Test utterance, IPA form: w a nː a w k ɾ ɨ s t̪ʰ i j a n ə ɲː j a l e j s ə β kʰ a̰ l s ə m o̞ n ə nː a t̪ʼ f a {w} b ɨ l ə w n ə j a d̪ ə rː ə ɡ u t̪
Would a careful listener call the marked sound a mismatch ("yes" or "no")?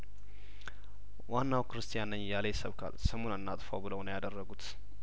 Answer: no